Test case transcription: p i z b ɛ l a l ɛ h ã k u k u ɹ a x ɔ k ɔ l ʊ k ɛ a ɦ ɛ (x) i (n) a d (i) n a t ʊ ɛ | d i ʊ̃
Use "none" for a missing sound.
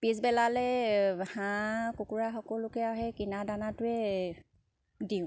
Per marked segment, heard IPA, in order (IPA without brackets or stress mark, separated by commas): k, n, a